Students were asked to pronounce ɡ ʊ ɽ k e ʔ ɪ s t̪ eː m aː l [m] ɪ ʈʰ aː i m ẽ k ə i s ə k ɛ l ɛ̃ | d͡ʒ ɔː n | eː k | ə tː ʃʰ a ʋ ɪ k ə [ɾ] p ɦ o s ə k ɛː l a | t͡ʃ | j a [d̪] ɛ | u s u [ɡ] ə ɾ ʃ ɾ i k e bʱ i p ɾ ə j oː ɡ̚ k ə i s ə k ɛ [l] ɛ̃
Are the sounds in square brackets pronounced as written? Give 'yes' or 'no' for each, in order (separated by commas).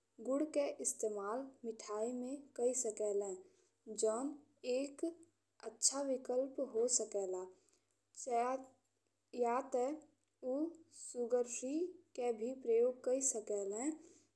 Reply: yes, no, no, yes, yes